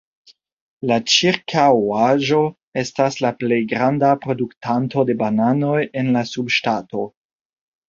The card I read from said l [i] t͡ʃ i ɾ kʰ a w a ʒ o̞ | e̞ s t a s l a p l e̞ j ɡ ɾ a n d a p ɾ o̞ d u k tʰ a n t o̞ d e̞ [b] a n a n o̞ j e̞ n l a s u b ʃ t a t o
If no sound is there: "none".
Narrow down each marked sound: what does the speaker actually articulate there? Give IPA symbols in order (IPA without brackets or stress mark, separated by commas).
a, b